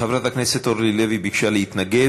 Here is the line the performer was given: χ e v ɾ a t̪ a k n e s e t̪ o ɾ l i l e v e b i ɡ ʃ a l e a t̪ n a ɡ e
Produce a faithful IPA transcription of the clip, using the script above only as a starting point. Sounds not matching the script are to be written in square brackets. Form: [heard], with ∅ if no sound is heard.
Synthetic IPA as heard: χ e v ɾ a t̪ a k n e s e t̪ o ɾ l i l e v [i] b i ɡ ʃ a l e [i] t̪ n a ɡ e